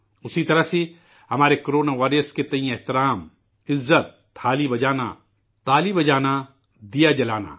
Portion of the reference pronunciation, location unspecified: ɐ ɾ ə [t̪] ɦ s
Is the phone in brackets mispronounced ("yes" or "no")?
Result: yes